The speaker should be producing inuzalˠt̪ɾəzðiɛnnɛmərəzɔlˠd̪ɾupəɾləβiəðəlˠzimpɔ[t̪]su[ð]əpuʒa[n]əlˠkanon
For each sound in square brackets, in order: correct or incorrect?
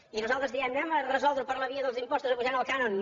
incorrect: none, incorrect: z, correct

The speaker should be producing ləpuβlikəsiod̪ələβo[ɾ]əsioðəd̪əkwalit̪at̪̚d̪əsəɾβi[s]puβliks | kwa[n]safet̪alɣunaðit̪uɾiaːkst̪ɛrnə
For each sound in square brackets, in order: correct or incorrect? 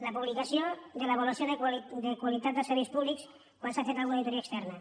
incorrect: l, correct, correct

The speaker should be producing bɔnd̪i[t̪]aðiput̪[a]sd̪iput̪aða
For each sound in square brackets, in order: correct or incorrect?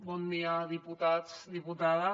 incorrect: none, correct

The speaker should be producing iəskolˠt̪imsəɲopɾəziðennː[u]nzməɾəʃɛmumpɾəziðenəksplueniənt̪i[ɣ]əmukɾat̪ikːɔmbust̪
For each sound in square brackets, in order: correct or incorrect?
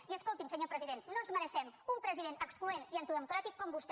incorrect: o, incorrect: ð

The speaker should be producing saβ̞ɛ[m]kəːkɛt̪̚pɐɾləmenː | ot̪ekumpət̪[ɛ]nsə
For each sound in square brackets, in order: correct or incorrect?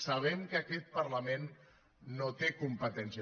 correct, correct

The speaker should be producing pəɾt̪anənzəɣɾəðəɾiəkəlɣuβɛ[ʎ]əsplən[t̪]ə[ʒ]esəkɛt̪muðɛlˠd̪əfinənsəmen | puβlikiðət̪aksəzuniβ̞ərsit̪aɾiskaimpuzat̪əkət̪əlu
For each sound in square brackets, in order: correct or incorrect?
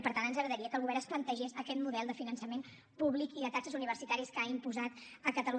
incorrect: ɾ, correct, correct

